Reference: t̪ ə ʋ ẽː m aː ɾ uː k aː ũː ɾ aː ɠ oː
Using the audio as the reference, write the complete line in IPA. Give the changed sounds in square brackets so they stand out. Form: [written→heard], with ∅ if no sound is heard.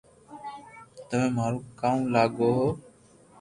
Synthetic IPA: t̪ ə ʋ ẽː m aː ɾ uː k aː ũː [ɾ→l] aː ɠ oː